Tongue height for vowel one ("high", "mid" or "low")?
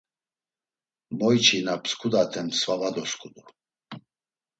mid